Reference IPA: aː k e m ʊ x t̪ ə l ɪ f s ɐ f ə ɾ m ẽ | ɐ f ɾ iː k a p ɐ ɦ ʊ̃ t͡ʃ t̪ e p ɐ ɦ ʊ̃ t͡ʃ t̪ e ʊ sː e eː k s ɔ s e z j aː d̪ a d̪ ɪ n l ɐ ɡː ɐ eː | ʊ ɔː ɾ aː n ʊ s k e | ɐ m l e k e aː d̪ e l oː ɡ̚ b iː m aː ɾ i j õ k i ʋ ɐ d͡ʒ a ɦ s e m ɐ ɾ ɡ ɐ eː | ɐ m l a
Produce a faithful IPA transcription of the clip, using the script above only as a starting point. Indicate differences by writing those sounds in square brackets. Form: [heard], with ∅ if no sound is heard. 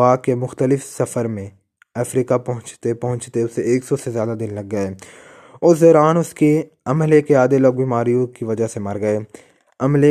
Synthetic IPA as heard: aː k e m ʊ x t̪ ə l ɪ f s ɐ f ə ɾ m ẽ | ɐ f ɾ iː k a p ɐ ɦ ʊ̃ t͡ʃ t̪ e p ɐ ɦ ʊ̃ t͡ʃ t̪ e ʊ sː e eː k s ɔ s e z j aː d̪ a d̪ ɪ n l ɐ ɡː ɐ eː | ʊ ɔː ɾ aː n ʊ s k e | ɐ m l e k e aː d̪ e l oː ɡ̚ b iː m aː ɾ i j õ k i ʋ ɐ d͡ʒ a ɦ s e m ɐ ɾ ɡ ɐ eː | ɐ m l [e]